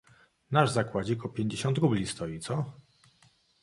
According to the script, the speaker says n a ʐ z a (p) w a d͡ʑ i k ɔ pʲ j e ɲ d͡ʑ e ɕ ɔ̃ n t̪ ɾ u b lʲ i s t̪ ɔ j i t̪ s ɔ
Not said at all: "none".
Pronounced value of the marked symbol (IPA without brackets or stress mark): k